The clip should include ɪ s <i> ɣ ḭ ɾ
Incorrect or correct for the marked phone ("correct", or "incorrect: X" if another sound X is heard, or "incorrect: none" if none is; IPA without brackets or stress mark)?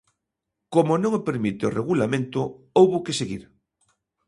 incorrect: e